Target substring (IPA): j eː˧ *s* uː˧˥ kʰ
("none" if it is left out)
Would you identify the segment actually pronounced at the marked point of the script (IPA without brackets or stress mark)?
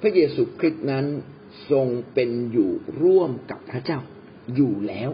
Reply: s